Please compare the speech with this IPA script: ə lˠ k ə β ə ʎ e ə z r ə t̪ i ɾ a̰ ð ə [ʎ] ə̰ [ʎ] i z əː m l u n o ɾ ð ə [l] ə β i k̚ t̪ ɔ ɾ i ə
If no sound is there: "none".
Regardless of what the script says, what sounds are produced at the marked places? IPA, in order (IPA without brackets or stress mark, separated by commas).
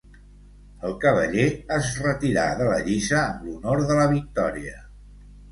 l, ʎ, l